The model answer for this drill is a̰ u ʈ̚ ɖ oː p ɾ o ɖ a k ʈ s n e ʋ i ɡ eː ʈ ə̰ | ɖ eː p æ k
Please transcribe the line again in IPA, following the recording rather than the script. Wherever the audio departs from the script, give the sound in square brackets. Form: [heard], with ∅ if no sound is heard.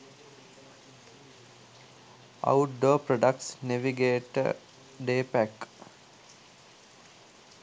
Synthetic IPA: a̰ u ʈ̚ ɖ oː p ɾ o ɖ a k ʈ s n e ʋ i ɡ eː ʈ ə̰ | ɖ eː p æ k